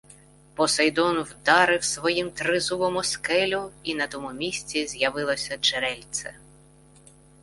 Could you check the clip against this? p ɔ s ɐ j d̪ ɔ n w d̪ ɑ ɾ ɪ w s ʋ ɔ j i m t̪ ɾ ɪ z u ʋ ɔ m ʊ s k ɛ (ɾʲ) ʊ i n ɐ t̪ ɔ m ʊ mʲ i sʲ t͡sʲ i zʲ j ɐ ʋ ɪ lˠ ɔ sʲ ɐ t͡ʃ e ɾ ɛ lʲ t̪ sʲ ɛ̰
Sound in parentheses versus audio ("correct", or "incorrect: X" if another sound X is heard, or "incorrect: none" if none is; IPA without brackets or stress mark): incorrect: lʲ